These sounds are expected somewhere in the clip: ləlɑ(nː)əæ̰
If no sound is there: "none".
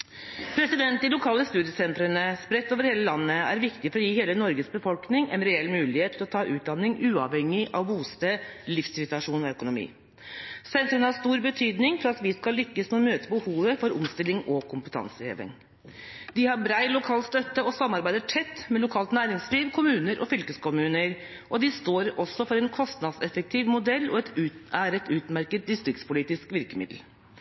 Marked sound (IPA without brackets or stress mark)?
nː